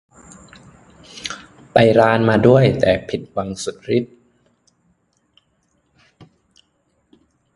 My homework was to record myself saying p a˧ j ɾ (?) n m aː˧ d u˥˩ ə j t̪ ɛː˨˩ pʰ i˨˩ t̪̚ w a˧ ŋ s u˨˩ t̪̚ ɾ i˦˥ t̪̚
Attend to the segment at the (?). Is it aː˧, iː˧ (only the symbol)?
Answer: aː˧